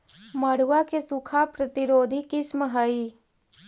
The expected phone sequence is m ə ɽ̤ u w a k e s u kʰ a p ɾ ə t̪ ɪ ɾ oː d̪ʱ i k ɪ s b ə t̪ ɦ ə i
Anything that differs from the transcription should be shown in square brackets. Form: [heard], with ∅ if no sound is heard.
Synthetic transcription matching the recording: m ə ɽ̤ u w a k e s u kʰ a p ɾ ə t̪ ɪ ɾ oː d̪ʱ i k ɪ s [m] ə [∅] ɦ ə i